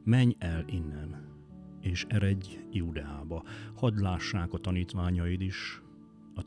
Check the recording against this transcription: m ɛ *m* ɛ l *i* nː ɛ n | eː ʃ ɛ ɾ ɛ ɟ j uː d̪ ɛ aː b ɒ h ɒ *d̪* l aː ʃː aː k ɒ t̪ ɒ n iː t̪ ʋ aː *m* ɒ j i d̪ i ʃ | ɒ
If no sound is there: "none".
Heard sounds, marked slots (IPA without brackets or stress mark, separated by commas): ɲ, i, d̪, ɲ